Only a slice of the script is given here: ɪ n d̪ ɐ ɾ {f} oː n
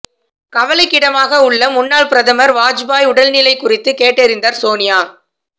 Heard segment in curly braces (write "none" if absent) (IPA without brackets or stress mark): s